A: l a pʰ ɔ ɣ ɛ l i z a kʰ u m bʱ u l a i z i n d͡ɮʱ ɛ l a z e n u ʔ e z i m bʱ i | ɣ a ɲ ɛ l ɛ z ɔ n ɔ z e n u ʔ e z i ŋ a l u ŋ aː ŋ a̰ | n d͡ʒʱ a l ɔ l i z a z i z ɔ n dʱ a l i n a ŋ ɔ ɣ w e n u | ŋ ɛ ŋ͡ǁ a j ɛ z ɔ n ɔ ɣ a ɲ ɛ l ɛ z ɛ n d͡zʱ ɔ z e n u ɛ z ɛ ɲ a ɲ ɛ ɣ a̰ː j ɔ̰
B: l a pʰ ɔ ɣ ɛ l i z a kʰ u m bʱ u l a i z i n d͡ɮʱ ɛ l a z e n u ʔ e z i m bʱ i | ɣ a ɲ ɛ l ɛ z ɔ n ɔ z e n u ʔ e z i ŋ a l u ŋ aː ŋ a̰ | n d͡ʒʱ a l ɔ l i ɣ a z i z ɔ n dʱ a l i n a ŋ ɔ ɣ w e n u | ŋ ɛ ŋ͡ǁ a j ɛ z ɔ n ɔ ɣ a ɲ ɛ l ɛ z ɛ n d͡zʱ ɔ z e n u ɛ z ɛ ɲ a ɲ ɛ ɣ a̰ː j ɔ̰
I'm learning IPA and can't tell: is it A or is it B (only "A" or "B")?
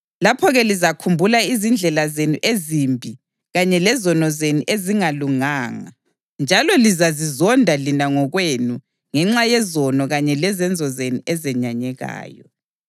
A